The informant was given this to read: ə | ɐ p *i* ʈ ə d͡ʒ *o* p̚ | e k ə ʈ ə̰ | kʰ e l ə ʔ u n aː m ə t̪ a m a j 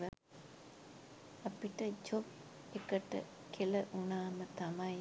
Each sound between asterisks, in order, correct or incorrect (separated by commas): correct, correct